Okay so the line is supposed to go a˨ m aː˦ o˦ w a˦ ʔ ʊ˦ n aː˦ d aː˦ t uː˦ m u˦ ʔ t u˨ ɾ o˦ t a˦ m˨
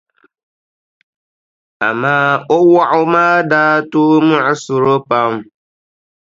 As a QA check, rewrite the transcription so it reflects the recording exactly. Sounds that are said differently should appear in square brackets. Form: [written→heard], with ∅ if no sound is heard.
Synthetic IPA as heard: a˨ m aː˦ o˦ w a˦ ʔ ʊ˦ [n→m] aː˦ d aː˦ t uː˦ m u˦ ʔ [t→s] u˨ ɾ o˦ [t→p] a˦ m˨